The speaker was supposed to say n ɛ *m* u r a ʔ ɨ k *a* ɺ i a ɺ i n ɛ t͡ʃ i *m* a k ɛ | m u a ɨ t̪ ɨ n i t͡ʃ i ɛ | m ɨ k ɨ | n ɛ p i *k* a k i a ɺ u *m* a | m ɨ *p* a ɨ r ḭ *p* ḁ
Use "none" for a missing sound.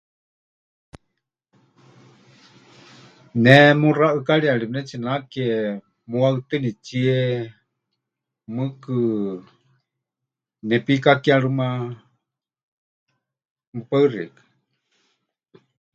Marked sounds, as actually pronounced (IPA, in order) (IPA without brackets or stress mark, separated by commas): m, a, n, k, m, p, k